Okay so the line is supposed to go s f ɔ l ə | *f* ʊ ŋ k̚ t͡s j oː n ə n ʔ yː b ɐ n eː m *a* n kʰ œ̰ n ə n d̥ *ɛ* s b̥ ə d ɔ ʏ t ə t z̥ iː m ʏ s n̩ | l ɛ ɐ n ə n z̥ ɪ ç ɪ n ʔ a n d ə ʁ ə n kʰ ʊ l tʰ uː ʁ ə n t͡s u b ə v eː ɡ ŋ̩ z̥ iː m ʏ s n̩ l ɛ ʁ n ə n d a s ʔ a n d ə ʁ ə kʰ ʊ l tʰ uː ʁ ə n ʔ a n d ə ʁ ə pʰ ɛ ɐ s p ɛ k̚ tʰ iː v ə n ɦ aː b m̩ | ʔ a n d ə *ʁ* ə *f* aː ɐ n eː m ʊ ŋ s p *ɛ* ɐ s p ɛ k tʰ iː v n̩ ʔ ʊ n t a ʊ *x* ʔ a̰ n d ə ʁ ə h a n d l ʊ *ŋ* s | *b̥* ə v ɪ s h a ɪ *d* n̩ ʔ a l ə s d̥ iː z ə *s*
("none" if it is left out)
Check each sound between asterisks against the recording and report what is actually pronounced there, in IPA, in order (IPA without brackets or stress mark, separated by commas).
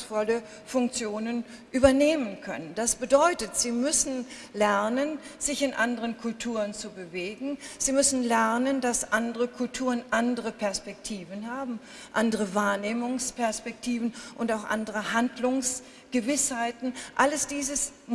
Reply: f, ə, a, ʁ, v, ɛ, x, ŋ, ɡ̥, t, s